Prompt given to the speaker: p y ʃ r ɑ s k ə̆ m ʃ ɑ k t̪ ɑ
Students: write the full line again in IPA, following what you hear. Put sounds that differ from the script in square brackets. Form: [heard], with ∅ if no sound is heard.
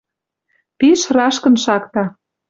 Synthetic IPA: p [i] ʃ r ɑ [ʃ] k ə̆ [n] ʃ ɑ k t̪ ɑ